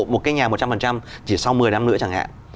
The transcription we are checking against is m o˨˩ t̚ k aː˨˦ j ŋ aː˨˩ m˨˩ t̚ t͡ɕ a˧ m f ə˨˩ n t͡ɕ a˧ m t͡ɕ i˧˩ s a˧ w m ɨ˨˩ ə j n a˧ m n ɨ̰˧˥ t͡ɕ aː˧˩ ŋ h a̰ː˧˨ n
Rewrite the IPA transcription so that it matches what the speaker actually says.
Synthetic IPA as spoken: m o˨˩ t̚ k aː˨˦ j ɲ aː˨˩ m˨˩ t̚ t͡ɕ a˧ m f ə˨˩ n t͡ɕ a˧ m t͡ɕ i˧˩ s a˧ w m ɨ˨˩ ə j n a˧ m n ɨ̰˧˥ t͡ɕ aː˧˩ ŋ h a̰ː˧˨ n